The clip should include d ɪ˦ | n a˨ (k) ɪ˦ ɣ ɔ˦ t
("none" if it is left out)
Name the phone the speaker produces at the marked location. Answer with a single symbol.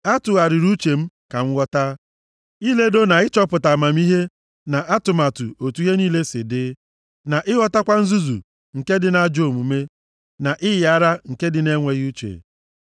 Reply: ʔ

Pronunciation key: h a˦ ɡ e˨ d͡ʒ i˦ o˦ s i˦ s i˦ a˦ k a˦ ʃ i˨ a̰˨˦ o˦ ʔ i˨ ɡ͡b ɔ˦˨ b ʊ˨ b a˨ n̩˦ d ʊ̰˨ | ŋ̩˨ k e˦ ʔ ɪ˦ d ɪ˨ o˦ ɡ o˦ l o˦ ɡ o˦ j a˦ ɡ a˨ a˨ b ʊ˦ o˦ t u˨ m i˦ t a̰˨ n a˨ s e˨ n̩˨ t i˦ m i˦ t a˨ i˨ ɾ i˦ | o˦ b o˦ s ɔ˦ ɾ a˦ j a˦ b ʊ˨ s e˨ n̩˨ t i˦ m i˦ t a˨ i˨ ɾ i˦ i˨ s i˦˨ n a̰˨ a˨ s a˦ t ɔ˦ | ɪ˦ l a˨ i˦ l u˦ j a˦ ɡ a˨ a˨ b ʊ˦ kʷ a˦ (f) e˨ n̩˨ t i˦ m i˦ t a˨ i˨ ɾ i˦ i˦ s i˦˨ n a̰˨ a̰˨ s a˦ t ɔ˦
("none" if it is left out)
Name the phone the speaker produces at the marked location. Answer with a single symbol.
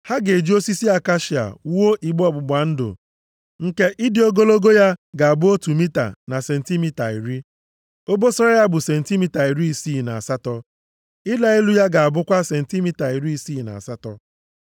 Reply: s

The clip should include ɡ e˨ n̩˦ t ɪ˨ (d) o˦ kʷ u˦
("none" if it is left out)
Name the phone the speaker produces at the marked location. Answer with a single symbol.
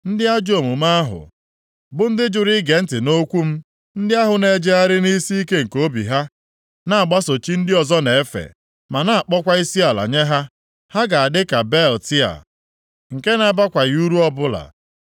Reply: n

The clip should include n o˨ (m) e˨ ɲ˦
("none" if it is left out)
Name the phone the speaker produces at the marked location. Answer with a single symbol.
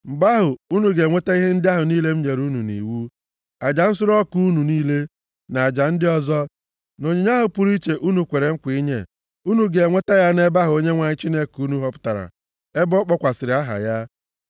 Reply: ɲ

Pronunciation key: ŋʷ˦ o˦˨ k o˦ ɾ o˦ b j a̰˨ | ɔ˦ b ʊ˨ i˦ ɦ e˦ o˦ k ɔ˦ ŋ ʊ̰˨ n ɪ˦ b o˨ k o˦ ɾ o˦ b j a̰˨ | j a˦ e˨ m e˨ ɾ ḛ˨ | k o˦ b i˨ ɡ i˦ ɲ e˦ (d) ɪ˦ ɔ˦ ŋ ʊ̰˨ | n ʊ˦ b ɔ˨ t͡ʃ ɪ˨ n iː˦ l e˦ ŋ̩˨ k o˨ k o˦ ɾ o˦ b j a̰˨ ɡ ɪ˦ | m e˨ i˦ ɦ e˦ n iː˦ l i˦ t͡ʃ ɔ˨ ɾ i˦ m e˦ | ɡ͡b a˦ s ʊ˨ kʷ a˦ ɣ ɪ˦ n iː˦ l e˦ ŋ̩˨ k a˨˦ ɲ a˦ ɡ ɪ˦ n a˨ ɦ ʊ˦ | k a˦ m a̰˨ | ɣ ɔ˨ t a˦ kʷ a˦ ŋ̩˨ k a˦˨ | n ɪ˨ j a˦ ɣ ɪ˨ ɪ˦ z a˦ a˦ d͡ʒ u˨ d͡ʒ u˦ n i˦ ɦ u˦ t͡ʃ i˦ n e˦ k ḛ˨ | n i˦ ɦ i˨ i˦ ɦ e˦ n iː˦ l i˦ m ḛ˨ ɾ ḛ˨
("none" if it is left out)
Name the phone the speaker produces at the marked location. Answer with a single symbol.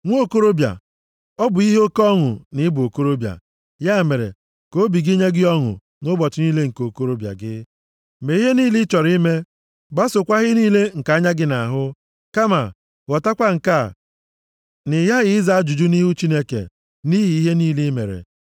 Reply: ɡ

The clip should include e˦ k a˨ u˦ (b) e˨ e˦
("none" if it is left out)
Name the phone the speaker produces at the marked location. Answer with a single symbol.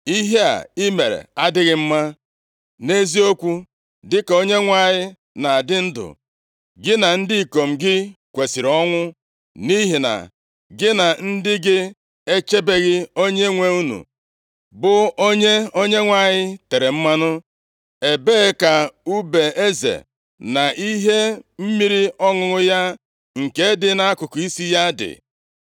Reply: b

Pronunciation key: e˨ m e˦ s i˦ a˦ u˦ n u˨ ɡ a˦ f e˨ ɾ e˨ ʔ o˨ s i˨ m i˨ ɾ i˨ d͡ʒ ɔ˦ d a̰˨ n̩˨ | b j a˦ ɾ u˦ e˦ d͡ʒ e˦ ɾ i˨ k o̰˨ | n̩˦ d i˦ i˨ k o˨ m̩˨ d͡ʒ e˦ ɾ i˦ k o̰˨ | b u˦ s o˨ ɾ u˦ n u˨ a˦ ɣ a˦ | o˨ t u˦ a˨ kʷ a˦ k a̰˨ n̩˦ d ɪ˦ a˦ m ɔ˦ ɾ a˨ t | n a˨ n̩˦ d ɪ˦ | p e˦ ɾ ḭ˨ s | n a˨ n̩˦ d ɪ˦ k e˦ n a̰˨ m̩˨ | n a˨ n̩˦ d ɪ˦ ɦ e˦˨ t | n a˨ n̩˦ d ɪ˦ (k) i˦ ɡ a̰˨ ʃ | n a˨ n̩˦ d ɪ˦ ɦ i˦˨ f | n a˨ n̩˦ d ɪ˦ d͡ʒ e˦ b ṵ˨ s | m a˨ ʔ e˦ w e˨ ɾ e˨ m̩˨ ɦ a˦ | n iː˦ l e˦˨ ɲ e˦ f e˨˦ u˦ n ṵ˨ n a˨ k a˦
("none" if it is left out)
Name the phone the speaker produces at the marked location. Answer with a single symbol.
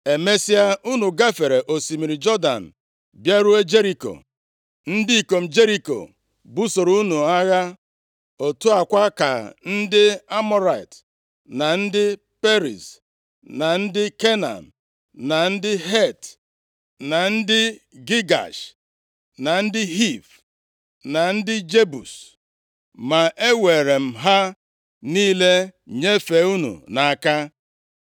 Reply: ɡ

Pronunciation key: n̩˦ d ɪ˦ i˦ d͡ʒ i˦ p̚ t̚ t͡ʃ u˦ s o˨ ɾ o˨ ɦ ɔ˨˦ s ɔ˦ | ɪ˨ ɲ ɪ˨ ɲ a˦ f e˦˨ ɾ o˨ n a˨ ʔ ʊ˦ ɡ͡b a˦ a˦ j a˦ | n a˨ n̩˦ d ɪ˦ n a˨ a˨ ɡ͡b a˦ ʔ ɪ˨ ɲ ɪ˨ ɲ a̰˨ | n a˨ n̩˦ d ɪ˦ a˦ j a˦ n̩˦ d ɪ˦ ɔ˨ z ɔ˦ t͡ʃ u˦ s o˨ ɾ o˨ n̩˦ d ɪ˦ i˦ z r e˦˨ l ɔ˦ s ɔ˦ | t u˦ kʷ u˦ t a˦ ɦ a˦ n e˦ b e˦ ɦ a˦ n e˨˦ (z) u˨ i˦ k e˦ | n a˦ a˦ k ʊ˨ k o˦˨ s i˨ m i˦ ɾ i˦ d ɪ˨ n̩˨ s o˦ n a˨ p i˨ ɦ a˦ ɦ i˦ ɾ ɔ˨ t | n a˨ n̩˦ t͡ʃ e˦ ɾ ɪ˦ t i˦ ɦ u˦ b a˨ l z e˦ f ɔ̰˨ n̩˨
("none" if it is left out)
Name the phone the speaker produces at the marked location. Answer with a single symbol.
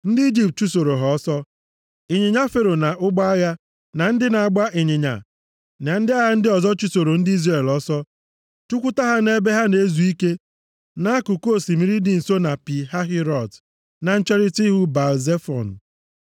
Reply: z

